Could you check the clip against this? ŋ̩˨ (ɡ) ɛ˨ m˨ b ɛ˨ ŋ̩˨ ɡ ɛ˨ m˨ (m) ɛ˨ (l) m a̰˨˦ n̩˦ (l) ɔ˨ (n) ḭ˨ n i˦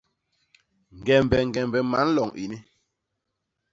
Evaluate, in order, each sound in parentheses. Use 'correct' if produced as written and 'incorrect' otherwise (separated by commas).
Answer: correct, incorrect, incorrect, correct, incorrect